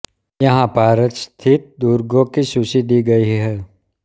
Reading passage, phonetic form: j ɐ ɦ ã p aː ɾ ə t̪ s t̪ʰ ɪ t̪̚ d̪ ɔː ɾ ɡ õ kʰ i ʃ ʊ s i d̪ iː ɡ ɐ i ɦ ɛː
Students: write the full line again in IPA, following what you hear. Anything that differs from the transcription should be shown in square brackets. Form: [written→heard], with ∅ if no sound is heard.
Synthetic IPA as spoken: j ɐ ɦ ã p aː ɾ ə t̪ s t̪ʰ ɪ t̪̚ d̪ [ɔː→uː] ɾ ɡ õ [kʰ→k] i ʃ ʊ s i d̪ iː ɡ ɐ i ɦ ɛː